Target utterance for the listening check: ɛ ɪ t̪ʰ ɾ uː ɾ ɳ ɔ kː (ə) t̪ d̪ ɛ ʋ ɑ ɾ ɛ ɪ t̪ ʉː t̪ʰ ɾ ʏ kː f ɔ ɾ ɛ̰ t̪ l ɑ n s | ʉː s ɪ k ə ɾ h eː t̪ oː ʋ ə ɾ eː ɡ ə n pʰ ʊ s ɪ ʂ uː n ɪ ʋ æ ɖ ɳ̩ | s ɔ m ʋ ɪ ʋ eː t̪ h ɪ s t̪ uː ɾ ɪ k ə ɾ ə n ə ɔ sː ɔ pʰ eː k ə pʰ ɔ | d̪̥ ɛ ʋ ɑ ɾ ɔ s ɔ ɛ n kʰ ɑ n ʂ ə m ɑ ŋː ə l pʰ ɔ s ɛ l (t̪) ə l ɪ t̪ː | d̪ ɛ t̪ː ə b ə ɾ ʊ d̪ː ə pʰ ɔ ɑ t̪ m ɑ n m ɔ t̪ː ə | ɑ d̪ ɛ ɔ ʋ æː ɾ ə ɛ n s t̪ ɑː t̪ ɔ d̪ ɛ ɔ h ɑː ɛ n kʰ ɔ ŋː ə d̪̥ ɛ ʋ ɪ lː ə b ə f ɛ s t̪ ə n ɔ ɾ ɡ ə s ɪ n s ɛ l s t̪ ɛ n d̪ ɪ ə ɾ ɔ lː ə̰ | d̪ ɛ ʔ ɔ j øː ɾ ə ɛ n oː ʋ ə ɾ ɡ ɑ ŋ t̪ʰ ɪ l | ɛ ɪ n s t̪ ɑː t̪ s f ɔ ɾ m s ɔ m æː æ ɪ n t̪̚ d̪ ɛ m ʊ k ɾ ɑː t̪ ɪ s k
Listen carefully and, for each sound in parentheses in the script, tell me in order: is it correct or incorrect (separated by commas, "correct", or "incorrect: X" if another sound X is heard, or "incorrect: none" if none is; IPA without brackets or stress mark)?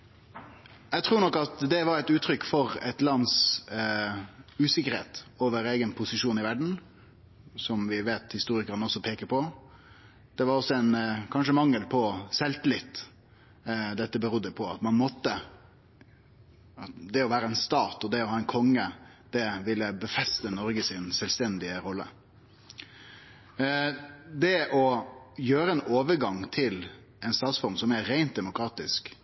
incorrect: ɑ, correct